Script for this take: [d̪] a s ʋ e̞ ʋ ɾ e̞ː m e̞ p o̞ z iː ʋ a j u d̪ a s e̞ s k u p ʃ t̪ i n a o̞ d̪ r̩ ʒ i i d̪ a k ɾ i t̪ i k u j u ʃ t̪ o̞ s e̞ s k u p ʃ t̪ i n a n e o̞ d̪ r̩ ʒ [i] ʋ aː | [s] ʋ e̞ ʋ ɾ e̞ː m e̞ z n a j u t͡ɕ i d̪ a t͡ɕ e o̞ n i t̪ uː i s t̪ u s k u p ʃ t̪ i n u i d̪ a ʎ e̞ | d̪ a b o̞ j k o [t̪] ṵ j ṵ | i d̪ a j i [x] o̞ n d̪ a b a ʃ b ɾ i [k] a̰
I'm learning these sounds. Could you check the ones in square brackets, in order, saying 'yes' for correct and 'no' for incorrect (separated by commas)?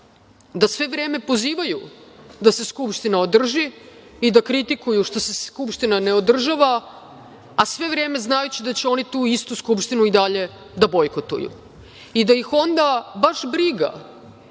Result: yes, no, yes, yes, yes, no